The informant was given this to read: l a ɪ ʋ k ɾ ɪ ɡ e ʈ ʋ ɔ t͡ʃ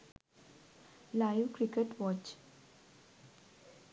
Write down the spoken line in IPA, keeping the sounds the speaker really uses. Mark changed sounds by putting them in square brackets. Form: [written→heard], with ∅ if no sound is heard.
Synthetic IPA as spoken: l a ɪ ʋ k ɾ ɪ [ɡ→k] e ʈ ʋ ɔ t͡ʃ